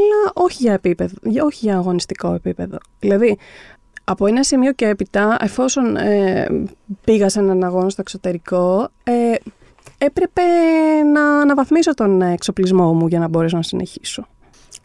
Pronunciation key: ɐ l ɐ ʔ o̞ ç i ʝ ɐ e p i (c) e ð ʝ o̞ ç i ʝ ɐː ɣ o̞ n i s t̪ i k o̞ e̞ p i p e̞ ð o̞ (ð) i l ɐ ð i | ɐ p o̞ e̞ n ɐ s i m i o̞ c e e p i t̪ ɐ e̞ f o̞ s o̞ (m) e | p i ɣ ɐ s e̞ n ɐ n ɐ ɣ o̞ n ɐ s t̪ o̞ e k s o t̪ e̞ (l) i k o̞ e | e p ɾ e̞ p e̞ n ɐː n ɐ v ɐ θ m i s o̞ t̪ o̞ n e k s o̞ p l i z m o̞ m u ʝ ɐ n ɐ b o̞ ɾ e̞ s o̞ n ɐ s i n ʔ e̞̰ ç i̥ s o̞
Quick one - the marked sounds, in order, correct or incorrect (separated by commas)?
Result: incorrect, correct, incorrect, incorrect